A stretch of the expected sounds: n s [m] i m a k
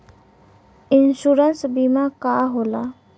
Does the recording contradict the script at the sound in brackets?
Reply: yes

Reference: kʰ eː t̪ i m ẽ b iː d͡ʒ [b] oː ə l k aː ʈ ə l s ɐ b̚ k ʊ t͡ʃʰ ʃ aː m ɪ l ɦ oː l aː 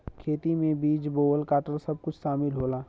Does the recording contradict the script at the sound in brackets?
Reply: no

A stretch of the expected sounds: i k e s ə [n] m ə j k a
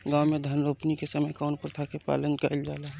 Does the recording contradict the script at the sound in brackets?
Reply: yes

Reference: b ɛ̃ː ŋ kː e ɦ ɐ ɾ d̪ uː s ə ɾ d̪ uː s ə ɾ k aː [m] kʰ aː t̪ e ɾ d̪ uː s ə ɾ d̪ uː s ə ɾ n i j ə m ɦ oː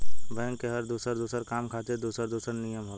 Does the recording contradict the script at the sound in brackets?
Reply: no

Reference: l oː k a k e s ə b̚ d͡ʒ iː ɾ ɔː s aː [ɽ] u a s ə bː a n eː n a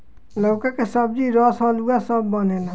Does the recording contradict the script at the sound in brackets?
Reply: yes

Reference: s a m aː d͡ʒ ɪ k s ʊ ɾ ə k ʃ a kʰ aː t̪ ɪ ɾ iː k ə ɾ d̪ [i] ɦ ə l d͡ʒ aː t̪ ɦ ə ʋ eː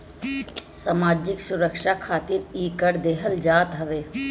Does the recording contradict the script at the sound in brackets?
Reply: yes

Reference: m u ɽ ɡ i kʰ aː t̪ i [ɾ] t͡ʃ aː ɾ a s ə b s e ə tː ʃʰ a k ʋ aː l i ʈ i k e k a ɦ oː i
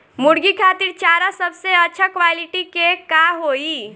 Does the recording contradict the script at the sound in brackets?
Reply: no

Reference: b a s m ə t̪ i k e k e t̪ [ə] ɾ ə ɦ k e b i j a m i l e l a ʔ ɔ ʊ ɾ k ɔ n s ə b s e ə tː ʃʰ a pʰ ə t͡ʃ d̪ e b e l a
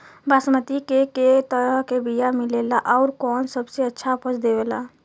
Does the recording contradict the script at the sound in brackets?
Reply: no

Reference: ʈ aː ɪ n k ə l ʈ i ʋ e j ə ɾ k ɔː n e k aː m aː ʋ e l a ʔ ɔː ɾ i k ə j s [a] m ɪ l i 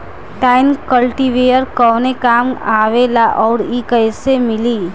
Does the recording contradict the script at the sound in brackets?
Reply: yes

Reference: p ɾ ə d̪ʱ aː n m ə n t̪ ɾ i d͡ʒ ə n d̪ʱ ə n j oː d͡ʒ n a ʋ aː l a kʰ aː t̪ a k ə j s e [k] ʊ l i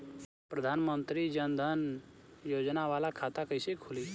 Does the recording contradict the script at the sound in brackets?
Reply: yes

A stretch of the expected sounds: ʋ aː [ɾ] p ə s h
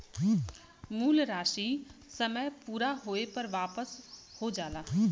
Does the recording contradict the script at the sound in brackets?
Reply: yes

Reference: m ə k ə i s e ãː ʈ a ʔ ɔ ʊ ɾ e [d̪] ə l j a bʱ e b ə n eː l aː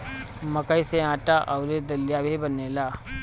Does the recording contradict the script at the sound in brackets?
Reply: no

